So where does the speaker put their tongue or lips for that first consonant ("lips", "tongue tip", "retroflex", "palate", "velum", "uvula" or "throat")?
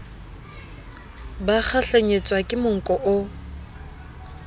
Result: lips